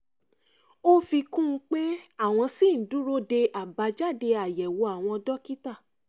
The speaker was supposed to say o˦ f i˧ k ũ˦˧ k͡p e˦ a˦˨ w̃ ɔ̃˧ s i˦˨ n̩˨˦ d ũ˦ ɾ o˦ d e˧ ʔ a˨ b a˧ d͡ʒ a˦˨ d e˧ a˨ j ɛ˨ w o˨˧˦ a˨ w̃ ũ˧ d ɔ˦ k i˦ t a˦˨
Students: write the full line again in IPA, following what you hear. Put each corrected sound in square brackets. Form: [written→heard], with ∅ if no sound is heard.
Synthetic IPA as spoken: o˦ f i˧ k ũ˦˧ k͡p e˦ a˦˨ w̃ ɔ̃˧ s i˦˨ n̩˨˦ d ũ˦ ɾ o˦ d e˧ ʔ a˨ b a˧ d͡ʒ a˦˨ d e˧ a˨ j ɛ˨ w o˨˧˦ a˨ w̃ [ũ˧→ɔ̃˧] d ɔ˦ k i˦ t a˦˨